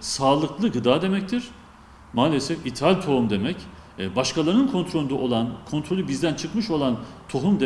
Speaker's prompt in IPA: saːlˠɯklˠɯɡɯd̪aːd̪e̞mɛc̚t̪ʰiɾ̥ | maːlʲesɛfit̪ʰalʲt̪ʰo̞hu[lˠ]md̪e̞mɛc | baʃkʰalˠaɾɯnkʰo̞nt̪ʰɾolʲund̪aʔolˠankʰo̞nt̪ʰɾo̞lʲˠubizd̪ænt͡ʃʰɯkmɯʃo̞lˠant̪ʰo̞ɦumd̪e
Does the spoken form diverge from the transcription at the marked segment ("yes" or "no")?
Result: yes